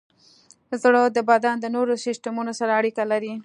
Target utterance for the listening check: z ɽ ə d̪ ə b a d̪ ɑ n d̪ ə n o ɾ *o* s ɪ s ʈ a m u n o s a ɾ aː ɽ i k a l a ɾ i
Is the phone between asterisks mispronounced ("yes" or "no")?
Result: no